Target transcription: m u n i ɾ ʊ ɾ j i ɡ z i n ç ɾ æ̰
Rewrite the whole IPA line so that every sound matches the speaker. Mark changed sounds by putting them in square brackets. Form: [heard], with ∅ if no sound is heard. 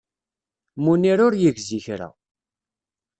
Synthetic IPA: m u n i ɾ ʊ ɾ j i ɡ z i [∅] ç ɾ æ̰